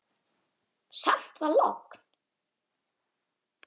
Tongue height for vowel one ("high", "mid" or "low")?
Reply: low